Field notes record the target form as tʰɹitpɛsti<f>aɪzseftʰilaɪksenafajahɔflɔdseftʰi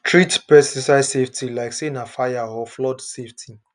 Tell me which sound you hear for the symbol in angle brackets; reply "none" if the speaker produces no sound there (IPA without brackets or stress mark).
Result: s